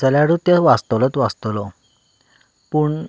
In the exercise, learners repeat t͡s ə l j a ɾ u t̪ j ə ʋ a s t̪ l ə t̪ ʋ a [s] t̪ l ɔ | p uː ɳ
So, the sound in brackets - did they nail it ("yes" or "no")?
yes